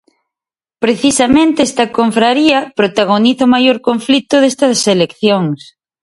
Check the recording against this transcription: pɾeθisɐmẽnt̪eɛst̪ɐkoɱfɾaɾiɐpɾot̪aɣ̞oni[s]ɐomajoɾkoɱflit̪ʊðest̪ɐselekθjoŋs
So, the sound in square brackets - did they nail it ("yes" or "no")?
no